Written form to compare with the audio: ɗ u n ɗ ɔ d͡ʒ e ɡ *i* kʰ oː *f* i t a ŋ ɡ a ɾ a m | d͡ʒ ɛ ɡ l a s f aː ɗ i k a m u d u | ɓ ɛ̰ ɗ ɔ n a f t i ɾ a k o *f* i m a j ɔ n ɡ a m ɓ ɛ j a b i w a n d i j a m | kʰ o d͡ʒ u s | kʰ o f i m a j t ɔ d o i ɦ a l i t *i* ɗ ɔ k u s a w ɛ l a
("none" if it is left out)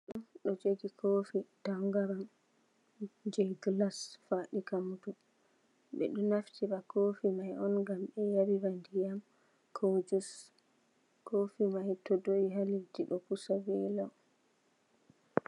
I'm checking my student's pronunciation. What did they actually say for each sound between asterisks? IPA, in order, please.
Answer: i, f, f, i

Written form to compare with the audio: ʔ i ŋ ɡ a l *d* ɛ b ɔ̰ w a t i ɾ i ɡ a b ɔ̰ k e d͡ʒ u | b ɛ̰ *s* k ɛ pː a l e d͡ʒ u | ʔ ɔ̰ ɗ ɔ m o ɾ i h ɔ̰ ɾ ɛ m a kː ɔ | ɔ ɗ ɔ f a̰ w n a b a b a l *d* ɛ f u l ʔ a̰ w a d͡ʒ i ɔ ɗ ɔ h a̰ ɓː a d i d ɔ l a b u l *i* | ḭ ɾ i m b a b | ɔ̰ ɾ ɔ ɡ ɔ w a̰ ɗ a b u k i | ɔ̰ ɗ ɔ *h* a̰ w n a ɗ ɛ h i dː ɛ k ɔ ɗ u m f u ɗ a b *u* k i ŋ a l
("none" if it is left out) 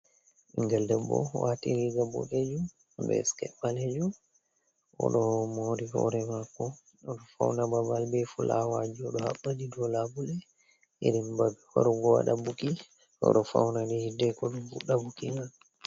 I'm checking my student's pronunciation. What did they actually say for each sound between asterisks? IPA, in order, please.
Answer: d, s, b, ɛ, f, u

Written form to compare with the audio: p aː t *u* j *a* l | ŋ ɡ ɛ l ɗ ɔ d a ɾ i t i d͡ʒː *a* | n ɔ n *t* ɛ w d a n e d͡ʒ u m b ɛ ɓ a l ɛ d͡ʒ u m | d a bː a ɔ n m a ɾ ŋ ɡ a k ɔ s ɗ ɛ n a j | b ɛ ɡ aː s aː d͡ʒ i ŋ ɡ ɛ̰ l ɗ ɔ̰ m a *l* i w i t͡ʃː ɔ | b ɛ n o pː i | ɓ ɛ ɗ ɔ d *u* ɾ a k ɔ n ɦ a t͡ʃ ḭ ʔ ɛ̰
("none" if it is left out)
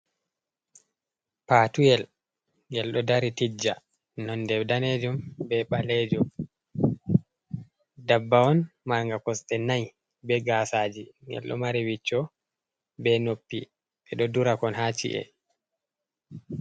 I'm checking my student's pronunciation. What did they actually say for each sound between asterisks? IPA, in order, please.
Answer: u, ɛ, a, d, ɾ, u

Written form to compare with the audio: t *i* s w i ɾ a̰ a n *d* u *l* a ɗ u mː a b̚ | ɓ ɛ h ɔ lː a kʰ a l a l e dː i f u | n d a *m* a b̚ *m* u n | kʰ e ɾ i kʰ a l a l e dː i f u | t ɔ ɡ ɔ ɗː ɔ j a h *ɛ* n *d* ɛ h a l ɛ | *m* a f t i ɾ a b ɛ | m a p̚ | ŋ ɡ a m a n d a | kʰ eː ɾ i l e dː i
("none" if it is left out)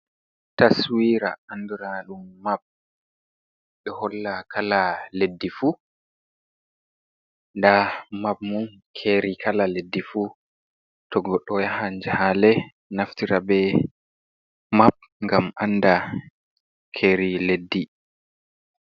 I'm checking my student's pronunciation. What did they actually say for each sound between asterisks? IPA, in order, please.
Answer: a, d, ɾ, m, m, a, d͡ʒ, n

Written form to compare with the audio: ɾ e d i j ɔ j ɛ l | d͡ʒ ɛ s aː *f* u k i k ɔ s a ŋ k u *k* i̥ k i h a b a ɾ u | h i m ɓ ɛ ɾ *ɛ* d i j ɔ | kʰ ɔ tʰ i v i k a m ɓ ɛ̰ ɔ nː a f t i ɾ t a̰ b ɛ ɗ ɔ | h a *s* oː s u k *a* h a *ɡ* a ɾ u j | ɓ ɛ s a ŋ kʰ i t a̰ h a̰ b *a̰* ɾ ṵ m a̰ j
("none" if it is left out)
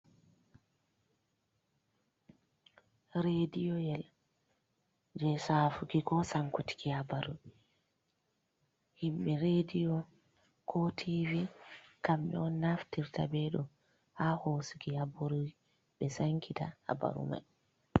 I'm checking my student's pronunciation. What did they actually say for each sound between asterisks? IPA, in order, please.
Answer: f, t, e, h, i, b, a̰

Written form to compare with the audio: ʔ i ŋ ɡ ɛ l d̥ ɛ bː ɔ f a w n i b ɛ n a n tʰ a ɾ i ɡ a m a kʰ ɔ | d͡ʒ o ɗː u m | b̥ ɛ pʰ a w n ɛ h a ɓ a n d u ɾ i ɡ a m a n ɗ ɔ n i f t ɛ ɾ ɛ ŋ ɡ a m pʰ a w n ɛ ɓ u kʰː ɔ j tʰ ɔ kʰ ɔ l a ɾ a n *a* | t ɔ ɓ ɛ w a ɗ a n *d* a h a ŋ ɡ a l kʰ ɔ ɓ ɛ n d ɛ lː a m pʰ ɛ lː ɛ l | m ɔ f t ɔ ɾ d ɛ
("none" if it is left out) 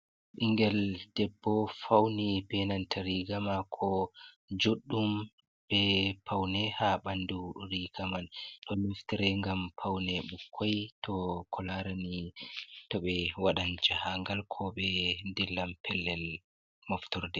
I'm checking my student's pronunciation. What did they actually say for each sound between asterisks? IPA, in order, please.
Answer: i, d͡ʒ

